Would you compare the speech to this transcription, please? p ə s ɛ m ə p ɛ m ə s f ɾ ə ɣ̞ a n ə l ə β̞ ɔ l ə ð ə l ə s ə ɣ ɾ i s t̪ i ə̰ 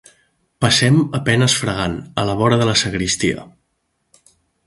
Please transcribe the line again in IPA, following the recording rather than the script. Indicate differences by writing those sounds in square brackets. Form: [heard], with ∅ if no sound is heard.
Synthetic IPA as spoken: p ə s ɛ m ə p ɛ [n] ə s f ɾ ə ɣ̞ a n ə l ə β̞ ɔ [ɾ] ə ð ə l ə s ə ɣ ɾ i s t̪ i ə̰